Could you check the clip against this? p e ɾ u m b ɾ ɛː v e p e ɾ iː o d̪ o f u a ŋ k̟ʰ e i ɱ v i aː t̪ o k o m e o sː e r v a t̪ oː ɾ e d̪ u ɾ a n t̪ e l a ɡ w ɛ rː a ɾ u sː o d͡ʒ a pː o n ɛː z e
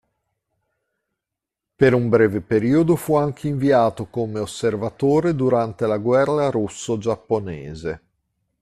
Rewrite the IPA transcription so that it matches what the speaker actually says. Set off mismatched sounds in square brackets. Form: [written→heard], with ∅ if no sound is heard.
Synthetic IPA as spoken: p e ɾ u m b ɾ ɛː v e p e ɾ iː o d̪ o f u a ŋ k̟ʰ e i ɱ v i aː t̪ o k o m e o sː e r v a t̪ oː ɾ e d̪ u ɾ a n t̪ e l a ɡ w ɛ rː a ɾ u sː o d͡ʒ a pː o n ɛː z e

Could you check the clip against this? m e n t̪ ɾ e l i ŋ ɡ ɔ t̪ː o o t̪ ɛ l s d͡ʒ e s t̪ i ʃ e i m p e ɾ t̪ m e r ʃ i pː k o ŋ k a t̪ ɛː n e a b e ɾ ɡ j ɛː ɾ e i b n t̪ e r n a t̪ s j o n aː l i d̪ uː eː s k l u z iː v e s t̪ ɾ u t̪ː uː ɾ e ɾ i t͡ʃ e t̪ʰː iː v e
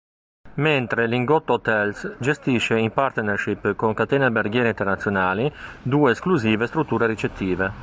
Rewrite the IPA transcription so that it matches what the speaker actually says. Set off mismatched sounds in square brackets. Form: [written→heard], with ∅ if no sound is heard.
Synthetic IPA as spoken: m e n t̪ ɾ e l i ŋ ɡ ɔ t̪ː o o t̪ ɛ l s d͡ʒ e s t̪ i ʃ e i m p [e→a] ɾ t̪ [m→n] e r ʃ i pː k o ŋ k a t̪ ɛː n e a b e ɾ ɡ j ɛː ɾ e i [b→∅] n t̪ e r n a t̪ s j o n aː l i d̪ uː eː s k l u z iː v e s t̪ ɾ u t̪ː uː ɾ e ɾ i t͡ʃ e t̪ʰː iː v e

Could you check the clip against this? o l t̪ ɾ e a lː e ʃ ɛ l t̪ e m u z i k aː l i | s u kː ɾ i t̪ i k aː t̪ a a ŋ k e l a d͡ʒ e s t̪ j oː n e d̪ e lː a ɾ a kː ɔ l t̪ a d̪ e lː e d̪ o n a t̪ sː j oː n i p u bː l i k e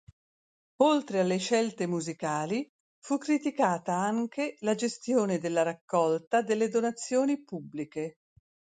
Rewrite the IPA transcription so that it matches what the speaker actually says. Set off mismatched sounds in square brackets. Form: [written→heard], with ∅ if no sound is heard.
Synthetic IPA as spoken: o l t̪ ɾ e a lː e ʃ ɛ l t̪ e m u z i k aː l i | [s→f] u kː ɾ i t̪ i k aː t̪ a a ŋ k e l a d͡ʒ e s t̪ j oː n e d̪ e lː a ɾ a kː ɔ l t̪ a d̪ e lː e d̪ o n a t̪ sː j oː n i p u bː l i k e

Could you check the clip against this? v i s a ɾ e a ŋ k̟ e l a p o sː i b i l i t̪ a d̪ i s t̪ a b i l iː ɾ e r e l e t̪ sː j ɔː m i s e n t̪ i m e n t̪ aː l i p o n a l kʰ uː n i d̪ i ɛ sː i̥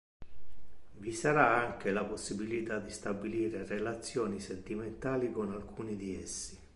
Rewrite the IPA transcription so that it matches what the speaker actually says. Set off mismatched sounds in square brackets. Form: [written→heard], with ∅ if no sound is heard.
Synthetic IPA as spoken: v i s a ɾ [e→a] a ŋ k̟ e l a p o sː i b i l i t̪ a d̪ i s t̪ a b i l iː ɾ e r e l [e→a] t̪ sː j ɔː [m→n] i s e n t̪ i m e n t̪ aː l i [p→k] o n a l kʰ uː n i d̪ i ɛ sː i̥

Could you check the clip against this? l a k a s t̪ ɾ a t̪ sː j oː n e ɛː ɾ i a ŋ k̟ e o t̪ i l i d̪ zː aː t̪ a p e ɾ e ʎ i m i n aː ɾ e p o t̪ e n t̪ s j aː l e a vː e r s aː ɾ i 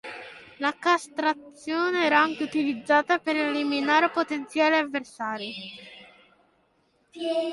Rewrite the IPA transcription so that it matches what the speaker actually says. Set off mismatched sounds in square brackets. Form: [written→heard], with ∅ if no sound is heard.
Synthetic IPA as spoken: l a k a s t̪ ɾ a t̪ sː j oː n e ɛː ɾ [i→a] a ŋ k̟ e [o→u] t̪ i l i d̪ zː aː t̪ a p e ɾ e [ʎ→l] i m i n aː ɾ e p o t̪ e n t̪ s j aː l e a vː e r s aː ɾ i

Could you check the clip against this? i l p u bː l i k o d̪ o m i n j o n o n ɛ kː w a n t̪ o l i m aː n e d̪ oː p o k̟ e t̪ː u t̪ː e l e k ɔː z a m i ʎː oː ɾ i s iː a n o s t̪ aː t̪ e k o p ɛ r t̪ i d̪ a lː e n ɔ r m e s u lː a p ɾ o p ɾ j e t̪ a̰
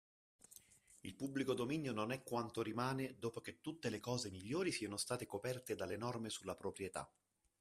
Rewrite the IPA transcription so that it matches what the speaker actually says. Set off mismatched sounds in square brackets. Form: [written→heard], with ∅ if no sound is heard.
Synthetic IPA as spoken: i l p u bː l i k o d̪ o m i n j o n o n ɛ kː w a n t̪ o [l→ɾ] i m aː n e d̪ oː p o k̟ e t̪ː u t̪ː e l e k ɔː z [a→e] m i ʎː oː ɾ i s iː a n o s t̪ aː t̪ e k o p ɛ r t̪ [i→e] d̪ a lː e n ɔ r m e s u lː a p ɾ o p ɾ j e t̪ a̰

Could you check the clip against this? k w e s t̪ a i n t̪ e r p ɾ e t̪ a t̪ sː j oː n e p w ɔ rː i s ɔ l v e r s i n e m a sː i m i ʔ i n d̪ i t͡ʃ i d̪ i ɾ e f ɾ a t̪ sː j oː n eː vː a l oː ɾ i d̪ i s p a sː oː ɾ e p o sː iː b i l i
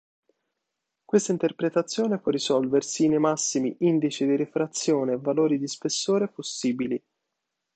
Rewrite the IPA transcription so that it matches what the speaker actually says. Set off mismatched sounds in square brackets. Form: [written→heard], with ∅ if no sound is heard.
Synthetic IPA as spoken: k w e s t̪ a i n t̪ e r p ɾ e t̪ a t̪ sː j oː n e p w ɔ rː i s ɔ l v e r s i n e m a sː i m i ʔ i n d̪ i t͡ʃ i d̪ i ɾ e f ɾ a t̪ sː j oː n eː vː a l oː ɾ i d̪ i s p [a→e] sː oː ɾ e p o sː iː b i l i

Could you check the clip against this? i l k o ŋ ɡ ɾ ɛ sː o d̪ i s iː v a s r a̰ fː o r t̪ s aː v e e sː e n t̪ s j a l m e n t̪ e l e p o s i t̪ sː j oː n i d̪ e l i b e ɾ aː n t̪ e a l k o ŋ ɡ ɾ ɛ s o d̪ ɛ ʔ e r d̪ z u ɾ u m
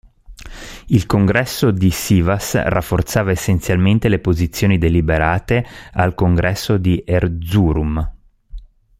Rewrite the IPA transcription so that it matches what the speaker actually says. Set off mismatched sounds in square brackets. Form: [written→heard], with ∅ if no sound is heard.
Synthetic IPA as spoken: i l k o ŋ ɡ ɾ ɛ sː o d̪ i s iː v a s r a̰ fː o r t̪ s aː v [e→a] e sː e n t̪ s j a l m e n t̪ e l e p o [s→z] i t̪ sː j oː n i d̪ e l i b e ɾ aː [n→∅] t̪ e a l k o ŋ ɡ ɾ ɛ [s→sː] o d̪ [ɛ→i] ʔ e r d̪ z u ɾ u m

